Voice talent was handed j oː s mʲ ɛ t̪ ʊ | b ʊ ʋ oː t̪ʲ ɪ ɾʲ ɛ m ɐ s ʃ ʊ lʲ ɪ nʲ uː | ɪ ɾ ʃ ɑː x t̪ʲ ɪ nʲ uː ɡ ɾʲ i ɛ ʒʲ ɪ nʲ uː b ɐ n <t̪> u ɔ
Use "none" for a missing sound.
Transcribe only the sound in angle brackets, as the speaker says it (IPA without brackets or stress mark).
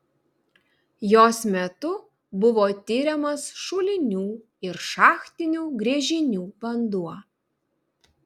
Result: d̪